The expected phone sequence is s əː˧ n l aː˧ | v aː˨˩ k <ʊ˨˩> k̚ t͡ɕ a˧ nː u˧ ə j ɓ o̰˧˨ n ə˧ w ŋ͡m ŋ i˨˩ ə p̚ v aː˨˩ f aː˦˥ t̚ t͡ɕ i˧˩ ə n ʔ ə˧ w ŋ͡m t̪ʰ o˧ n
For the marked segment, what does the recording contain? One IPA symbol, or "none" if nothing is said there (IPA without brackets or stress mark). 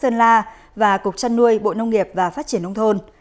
ʊ˨˩